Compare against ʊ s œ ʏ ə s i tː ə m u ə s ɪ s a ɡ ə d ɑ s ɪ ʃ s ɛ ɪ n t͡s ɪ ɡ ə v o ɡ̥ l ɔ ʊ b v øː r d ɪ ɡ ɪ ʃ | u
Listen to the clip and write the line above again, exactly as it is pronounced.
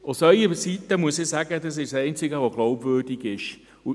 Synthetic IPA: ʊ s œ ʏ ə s i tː ə m u ə s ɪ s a ɡ ə d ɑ s ɪ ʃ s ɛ ɪ n t͡s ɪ ɡ ə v o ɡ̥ l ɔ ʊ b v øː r d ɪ ɡ ɪ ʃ | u